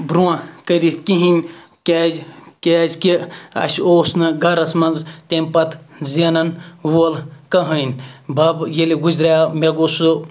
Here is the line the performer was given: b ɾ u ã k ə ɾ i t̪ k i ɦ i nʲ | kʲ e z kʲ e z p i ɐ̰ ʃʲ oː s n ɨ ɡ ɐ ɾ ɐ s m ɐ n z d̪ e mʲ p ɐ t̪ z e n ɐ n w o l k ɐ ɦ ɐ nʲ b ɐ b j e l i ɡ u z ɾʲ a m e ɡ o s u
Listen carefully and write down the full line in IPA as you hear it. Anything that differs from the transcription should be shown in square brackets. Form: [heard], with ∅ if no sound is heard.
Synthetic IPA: b ɾ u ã k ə ɾ i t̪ k i ɦ i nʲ | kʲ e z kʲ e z [k] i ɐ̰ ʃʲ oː s n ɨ ɡ ɐ ɾ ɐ s m ɐ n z [t̪] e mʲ p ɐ t̪ z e n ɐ n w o l k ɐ ɦ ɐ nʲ b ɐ b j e l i ɡ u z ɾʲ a m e ɡ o s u